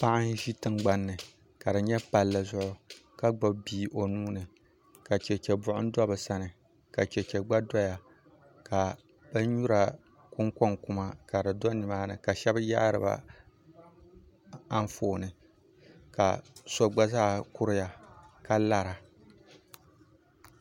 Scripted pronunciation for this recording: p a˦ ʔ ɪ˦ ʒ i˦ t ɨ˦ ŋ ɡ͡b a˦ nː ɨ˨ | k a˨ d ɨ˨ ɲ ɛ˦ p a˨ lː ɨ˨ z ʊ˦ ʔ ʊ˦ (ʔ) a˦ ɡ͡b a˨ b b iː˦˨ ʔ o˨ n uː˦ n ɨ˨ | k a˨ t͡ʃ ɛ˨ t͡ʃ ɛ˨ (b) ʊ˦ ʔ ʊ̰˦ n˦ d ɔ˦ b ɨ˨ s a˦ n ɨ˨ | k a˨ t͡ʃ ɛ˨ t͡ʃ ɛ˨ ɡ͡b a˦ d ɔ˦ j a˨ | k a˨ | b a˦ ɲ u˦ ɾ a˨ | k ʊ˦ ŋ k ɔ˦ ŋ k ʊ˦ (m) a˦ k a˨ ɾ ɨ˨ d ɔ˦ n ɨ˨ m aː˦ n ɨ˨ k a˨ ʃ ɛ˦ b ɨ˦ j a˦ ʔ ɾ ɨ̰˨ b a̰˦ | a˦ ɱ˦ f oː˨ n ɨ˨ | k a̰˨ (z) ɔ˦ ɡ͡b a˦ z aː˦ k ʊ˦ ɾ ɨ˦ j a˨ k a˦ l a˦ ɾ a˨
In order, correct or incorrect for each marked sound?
incorrect: k, correct, correct, incorrect: s

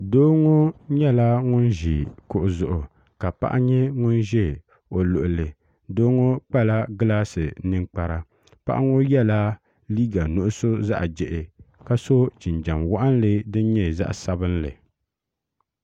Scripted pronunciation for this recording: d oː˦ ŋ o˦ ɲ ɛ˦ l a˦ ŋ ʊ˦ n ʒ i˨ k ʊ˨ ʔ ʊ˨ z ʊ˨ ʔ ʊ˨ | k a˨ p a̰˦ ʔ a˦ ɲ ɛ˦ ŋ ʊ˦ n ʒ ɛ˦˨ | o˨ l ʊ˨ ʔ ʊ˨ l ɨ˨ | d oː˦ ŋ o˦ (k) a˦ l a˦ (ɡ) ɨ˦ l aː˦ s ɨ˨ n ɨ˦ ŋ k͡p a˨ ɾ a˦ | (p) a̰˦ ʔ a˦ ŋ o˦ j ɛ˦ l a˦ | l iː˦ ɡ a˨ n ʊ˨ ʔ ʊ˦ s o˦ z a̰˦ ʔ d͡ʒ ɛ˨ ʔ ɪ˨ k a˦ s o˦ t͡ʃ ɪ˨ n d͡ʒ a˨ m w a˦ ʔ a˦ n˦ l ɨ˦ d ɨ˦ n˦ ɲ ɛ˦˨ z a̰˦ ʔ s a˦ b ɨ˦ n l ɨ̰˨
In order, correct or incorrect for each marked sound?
incorrect: k͡p, correct, correct

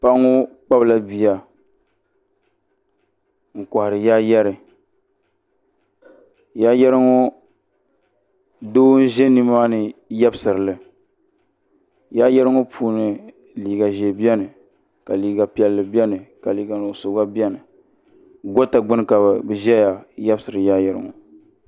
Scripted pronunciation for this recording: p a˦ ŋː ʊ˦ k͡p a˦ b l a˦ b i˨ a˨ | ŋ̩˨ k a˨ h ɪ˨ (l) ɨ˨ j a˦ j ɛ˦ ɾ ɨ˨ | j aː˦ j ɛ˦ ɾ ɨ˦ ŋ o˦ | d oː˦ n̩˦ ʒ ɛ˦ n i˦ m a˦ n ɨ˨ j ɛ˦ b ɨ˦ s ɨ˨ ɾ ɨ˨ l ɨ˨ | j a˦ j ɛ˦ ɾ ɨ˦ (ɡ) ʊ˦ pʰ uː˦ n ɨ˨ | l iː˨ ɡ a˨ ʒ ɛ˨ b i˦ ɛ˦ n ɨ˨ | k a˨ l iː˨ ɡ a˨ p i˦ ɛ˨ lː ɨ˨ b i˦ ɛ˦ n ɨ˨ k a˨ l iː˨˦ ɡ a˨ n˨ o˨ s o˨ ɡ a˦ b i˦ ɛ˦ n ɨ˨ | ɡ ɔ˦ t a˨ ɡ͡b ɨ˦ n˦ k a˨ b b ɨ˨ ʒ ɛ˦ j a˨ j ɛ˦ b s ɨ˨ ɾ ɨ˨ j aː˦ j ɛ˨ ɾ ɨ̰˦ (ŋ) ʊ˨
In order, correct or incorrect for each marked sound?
incorrect: ɾ, incorrect: ŋ, correct

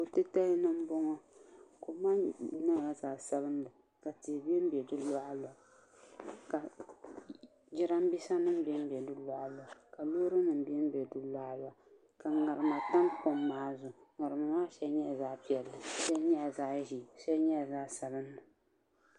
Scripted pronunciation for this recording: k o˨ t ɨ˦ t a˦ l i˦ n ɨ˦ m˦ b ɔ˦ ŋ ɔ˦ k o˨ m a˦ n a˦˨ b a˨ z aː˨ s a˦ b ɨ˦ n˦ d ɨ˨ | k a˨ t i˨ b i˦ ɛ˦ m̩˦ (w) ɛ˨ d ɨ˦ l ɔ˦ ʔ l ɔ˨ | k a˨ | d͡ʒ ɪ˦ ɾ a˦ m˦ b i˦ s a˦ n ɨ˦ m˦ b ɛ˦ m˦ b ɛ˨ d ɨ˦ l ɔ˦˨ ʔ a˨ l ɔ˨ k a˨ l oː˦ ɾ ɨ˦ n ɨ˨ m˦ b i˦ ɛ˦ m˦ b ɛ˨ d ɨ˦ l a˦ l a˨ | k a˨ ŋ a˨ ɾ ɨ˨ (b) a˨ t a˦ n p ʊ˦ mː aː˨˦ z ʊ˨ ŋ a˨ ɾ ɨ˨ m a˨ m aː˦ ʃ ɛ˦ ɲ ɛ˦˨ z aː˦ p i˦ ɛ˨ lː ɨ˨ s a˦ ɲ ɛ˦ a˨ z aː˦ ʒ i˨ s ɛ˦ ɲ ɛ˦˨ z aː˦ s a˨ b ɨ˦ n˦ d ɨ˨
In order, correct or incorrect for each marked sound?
incorrect: b, incorrect: m

